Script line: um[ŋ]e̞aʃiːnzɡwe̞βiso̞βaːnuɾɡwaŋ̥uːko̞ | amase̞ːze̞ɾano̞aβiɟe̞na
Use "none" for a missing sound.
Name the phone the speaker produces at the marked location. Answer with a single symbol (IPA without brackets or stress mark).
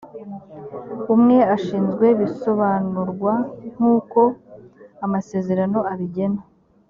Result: ŋ